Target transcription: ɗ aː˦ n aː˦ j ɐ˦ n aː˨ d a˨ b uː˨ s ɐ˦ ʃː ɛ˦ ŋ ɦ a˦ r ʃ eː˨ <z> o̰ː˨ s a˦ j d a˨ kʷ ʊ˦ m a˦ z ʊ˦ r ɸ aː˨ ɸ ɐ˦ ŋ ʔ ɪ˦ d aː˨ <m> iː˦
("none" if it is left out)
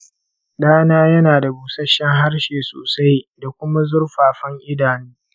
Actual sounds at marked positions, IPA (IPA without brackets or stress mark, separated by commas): s, n